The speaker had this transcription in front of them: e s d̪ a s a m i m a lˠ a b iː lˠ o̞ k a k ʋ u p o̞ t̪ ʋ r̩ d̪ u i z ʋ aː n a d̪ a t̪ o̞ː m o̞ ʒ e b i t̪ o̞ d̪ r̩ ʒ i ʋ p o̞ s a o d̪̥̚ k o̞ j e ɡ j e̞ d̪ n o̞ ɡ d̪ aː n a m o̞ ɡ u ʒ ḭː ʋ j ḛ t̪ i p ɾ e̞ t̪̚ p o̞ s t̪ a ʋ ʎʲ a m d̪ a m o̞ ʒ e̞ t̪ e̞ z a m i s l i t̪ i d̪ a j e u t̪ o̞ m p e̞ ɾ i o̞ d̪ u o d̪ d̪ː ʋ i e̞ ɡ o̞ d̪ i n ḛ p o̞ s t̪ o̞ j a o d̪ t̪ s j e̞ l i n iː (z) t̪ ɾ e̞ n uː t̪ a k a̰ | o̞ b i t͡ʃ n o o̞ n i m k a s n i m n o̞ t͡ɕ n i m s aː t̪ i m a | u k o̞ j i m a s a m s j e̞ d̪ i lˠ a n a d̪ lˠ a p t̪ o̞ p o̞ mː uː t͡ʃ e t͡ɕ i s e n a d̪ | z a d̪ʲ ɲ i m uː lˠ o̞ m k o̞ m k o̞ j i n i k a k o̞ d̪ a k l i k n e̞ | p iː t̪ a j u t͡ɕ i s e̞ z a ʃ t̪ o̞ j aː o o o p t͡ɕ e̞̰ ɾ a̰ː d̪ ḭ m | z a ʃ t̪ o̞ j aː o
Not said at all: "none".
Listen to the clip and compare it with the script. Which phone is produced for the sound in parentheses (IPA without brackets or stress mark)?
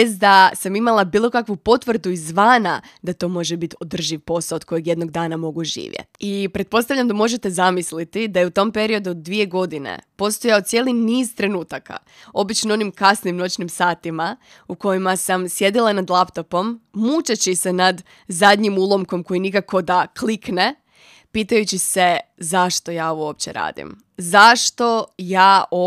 z